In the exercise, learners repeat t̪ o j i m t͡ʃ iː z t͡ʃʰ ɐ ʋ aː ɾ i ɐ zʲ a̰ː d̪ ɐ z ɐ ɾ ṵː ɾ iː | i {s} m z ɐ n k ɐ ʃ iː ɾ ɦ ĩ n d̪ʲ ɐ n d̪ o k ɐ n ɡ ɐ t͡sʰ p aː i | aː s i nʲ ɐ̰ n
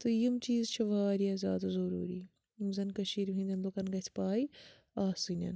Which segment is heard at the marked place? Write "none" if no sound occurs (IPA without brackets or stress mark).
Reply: none